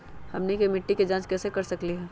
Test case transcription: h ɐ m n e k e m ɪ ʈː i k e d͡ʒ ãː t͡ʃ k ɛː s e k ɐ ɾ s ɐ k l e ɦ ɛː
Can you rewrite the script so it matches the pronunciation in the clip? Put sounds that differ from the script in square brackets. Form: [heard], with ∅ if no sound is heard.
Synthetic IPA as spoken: h ɐ m n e k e m ɪ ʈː i k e d͡ʒ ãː t͡ʃ k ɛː s e k ɐ ɾ s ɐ k l [i] ɦ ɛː